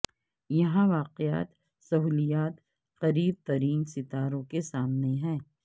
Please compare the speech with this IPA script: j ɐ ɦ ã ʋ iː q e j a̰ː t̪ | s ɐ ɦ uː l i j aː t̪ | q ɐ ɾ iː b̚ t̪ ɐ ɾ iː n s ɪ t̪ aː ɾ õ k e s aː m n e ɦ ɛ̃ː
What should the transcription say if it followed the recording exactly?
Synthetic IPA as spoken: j ɐ ɦ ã ʋ aː q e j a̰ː t̪ | s ɐ ɦ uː l i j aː t̪ | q ɐ ɾ iː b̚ t̪ ɐ ɾ iː n s ɪ t̪ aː ɾ õ k e s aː m n e ɦ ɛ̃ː